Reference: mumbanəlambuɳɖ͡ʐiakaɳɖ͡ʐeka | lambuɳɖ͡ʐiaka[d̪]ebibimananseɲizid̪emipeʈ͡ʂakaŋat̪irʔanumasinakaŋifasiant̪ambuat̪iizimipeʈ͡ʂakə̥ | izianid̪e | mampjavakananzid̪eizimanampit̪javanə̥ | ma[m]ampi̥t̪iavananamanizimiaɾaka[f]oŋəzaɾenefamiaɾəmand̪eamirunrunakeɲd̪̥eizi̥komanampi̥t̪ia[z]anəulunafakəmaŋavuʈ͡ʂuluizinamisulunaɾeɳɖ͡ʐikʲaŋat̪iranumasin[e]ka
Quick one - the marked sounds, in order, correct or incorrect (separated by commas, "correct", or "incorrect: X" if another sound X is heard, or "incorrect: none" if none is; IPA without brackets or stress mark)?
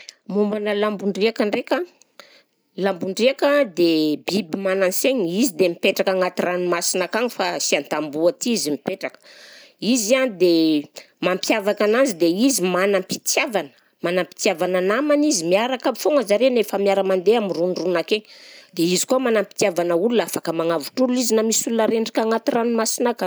correct, incorrect: n, correct, incorrect: v, incorrect: a